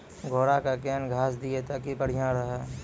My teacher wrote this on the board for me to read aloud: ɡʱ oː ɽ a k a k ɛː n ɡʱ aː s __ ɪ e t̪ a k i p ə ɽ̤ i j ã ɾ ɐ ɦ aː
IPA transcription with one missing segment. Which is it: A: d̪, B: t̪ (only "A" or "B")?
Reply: A